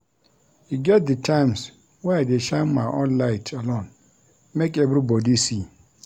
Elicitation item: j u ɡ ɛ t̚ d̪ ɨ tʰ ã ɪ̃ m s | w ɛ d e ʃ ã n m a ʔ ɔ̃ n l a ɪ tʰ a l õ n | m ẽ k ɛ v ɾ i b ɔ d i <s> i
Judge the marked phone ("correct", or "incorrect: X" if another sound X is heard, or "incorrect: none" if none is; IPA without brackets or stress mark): correct